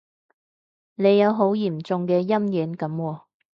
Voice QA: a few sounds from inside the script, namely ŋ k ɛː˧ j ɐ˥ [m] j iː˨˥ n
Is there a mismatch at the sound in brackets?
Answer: no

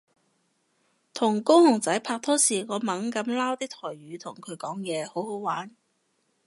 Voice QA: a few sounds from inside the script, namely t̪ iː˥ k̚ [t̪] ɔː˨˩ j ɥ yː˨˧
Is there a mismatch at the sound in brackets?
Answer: yes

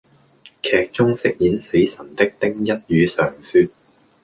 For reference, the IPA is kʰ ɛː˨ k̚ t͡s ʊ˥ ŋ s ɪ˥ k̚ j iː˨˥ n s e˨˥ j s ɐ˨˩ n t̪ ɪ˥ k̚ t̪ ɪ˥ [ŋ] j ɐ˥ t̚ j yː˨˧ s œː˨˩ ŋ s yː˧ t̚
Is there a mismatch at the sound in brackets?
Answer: no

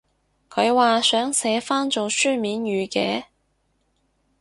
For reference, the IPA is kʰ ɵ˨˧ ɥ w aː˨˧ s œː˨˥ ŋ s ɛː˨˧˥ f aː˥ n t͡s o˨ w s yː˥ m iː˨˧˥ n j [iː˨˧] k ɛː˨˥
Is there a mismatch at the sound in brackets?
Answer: yes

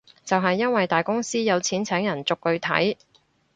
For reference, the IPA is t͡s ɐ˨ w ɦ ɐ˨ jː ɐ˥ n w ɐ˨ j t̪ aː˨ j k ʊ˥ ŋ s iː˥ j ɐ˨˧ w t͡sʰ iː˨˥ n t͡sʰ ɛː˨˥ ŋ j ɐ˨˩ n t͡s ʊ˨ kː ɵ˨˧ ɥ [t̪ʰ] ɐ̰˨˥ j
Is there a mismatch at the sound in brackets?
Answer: no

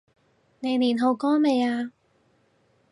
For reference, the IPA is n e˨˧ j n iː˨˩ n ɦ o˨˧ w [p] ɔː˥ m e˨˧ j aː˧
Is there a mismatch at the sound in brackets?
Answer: yes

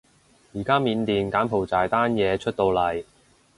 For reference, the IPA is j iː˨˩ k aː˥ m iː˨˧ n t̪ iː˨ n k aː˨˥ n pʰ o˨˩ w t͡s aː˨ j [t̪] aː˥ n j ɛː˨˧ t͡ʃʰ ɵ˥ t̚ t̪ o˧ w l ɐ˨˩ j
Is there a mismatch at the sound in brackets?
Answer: no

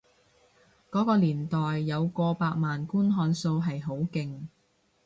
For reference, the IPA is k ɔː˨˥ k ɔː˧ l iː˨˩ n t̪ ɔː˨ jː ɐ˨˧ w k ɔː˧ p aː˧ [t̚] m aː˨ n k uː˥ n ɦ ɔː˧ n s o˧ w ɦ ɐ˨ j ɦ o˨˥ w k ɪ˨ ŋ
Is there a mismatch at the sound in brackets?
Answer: yes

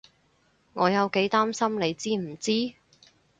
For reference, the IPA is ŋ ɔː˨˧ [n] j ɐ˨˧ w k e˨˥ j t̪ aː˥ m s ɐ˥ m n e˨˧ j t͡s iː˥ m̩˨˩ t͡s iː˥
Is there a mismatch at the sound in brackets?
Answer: yes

